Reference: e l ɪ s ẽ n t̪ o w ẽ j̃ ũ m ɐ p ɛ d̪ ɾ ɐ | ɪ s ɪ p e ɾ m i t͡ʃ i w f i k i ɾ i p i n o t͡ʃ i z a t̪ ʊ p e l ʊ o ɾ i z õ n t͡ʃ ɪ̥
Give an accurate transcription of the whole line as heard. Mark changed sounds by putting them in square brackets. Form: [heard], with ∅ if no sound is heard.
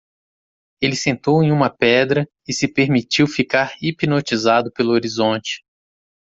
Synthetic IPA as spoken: e l ɪ s ẽ n t̪ o w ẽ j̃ ũ m ɐ p ɛ d̪ ɾ ɐ | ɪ s ɪ p e ɾ m i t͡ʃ i w f i k [a] ɾ i p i n o t͡ʃ i z a [d̪] ʊ p e l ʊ o ɾ i z õ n t͡ʃ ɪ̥